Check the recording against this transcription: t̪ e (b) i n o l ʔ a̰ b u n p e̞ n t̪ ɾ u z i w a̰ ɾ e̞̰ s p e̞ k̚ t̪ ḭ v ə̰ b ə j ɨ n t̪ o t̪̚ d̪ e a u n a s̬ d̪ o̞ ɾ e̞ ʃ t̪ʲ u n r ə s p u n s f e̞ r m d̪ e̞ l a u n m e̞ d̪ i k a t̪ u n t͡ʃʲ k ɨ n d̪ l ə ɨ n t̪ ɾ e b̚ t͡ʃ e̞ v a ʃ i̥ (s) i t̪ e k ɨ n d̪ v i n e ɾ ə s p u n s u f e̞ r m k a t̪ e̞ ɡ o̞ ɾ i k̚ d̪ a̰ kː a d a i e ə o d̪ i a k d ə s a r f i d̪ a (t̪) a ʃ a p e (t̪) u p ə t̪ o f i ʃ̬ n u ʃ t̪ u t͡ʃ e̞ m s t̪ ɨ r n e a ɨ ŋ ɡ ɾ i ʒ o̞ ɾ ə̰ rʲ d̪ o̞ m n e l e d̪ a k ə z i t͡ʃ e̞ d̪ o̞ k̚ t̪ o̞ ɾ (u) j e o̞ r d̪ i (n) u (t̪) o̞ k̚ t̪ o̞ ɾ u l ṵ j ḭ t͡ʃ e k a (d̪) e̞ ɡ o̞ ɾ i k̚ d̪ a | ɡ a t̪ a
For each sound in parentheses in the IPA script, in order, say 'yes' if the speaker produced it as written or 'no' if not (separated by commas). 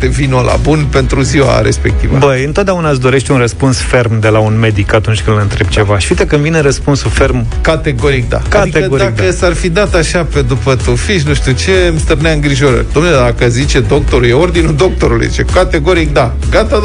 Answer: no, no, yes, no, yes, yes, no, no